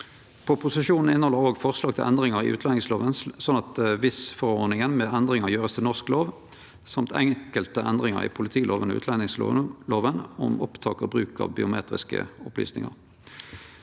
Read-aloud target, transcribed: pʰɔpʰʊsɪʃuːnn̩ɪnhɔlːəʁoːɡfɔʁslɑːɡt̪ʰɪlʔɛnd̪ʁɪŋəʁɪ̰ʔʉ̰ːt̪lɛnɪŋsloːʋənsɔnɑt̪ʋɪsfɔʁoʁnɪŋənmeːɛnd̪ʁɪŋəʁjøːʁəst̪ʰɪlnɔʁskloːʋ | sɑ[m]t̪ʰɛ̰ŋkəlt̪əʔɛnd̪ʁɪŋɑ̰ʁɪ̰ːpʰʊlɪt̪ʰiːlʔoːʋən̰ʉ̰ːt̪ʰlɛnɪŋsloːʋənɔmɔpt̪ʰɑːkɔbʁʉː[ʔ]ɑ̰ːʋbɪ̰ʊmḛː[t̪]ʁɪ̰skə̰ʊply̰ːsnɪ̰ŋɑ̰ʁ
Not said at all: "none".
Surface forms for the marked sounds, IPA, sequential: m, k, t̪

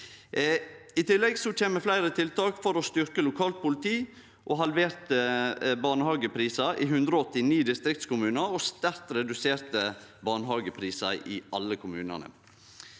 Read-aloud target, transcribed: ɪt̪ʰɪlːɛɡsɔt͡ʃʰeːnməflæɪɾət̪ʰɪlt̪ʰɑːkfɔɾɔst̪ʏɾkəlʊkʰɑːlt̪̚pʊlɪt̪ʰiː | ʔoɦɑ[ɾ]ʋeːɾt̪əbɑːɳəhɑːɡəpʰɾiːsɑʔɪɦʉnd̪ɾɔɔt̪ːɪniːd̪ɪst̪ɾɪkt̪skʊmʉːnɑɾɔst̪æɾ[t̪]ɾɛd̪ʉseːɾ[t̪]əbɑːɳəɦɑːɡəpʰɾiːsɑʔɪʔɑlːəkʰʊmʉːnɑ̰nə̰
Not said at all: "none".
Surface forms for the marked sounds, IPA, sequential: l, t̪, t̪

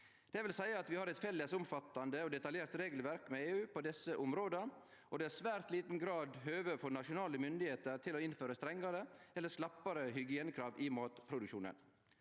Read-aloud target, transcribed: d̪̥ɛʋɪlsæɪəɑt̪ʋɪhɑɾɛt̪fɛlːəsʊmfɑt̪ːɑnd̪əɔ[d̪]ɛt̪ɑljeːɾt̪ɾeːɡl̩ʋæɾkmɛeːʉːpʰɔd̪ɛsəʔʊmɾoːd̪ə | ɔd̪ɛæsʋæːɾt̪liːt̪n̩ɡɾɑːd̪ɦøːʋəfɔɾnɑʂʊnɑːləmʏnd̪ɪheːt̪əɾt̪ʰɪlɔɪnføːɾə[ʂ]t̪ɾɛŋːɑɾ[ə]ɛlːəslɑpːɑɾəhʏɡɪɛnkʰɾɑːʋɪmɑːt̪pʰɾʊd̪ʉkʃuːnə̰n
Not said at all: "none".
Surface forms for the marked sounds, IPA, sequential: d̪, s, ə

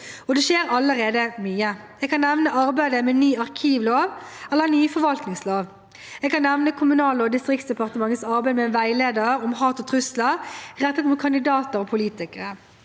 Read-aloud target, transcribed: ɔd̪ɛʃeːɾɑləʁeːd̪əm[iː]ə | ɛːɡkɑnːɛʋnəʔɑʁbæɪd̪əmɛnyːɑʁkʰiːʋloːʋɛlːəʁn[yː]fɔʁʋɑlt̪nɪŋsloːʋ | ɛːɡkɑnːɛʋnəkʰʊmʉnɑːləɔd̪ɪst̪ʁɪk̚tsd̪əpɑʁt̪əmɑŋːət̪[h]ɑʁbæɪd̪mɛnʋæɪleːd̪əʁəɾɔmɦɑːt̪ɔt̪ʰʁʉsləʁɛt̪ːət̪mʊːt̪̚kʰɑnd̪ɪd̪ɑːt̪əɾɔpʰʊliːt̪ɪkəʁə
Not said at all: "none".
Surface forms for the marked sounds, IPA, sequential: yː, yː, s

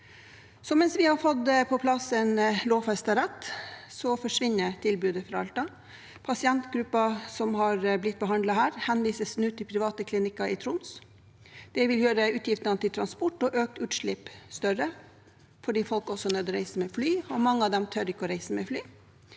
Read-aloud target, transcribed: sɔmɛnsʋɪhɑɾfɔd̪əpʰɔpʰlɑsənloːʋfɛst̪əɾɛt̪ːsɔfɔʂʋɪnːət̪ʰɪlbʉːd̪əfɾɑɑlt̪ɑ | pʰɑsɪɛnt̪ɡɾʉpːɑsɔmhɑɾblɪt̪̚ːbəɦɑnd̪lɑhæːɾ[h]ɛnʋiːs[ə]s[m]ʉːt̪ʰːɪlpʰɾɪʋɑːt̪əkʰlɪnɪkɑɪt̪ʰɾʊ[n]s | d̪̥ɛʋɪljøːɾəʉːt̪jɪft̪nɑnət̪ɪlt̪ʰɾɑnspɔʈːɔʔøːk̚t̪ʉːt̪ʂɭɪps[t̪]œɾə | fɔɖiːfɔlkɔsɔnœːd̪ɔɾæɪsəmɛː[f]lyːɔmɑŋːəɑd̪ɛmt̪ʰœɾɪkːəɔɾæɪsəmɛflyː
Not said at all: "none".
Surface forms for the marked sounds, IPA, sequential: h, ə, n, n, t̪, f

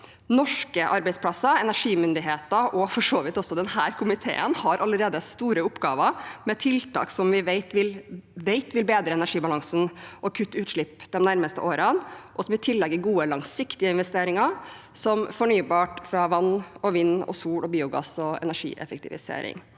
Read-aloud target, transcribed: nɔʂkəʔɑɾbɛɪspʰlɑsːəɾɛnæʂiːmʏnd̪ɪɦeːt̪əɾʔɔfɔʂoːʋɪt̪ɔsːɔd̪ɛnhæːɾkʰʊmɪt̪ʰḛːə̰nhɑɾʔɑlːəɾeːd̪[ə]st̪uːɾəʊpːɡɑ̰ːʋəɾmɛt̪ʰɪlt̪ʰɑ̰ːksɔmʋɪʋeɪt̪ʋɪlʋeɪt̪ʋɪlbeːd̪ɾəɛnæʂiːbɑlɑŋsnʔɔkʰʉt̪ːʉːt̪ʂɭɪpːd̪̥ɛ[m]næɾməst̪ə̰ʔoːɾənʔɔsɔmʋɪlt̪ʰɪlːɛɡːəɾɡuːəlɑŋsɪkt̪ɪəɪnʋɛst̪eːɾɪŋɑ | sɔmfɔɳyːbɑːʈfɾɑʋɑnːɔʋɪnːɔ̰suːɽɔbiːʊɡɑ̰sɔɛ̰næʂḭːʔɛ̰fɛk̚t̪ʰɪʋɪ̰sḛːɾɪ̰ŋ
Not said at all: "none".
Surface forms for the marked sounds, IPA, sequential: ə, m

